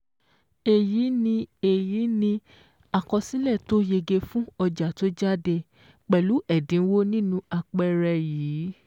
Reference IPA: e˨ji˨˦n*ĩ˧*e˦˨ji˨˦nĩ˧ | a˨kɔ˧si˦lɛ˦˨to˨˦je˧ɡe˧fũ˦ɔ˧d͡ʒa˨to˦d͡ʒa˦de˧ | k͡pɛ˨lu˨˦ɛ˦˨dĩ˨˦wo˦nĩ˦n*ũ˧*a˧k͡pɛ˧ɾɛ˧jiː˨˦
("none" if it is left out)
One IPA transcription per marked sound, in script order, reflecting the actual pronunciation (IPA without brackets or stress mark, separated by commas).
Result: ĩ˧, ũ˧